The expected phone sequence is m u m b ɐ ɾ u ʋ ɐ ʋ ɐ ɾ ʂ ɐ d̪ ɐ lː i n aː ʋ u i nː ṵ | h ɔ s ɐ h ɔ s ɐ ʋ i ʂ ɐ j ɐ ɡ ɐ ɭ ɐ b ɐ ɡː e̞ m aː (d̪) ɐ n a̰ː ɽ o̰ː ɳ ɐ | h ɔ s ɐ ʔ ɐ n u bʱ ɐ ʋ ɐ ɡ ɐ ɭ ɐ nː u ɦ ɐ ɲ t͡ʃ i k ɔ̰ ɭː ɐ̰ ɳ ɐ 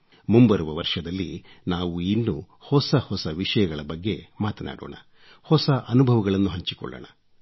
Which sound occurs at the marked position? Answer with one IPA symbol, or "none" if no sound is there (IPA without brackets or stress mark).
t̪